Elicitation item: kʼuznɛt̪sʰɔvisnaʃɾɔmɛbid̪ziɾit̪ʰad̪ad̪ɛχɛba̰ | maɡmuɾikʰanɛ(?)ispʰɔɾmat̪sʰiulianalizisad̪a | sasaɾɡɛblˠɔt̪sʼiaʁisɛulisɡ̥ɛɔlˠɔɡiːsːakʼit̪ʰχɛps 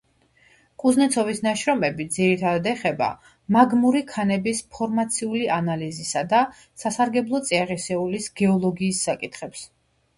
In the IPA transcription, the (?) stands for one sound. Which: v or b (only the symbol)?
b